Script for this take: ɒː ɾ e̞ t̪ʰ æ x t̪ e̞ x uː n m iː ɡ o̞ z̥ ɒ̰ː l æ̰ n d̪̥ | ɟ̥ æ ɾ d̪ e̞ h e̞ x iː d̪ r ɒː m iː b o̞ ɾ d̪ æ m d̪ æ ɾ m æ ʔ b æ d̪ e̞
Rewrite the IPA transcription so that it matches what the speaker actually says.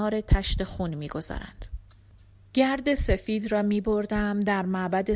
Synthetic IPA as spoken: ɒː ɾ e̞ t̪ʰ æ ʃ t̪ e̞ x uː n m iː ɡ o̞ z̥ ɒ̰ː ɾ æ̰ n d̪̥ | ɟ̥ æ ɾ d̪ e̞ s e̞ f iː d̪ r ɒː m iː b o̞ ɾ d̪ æ m d̪ æ ɾ m æ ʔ b æ d̪ e̞